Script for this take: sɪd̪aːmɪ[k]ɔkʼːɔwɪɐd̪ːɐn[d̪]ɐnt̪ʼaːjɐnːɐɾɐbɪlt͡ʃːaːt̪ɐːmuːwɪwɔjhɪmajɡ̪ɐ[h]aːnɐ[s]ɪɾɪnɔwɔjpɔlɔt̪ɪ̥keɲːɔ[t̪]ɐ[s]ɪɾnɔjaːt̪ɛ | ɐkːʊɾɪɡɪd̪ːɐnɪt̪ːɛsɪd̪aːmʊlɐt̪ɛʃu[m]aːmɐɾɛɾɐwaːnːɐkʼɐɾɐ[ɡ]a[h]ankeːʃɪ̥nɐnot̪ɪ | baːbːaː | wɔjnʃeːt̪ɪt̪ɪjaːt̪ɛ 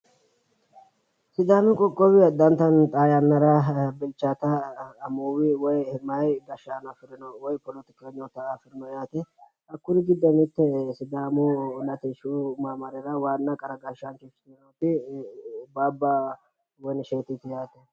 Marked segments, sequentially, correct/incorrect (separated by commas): incorrect, incorrect, incorrect, incorrect, correct, incorrect, correct, correct, incorrect